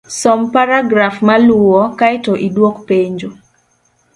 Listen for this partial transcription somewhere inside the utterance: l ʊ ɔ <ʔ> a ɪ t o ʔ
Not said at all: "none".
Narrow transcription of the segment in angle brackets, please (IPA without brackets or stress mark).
k